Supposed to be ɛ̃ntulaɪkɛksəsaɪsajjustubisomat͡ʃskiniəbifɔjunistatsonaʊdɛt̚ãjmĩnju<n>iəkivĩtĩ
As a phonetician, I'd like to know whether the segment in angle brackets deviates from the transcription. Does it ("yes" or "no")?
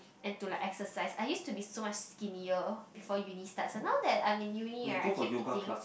no